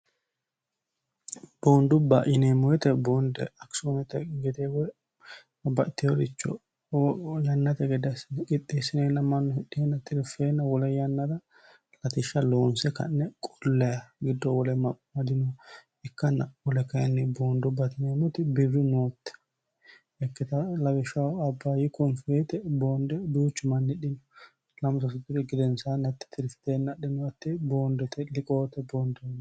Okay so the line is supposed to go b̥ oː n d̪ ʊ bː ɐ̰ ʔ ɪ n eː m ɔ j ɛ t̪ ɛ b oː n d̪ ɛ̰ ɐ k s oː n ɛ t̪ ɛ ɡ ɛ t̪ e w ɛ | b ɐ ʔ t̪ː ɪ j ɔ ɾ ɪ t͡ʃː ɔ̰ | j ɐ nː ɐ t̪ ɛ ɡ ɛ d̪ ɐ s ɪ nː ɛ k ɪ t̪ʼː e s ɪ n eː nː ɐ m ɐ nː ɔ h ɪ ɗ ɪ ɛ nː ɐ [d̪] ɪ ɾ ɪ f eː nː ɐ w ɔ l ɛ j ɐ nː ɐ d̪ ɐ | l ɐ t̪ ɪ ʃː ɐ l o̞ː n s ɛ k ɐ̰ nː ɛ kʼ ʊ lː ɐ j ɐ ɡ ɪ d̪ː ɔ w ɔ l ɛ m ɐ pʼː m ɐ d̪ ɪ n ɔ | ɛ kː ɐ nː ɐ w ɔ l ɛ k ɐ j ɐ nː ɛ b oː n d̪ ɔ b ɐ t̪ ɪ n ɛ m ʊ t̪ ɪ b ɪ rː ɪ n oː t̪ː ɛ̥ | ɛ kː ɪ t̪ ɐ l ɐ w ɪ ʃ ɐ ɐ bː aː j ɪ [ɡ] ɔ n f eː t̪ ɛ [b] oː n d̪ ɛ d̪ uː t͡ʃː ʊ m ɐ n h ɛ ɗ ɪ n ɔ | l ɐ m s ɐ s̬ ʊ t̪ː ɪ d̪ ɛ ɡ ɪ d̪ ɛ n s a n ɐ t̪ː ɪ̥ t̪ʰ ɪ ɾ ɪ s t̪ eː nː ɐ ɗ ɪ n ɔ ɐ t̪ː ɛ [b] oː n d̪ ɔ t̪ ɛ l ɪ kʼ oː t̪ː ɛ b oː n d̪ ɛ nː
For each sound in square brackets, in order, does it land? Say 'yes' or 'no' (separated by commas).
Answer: no, no, yes, yes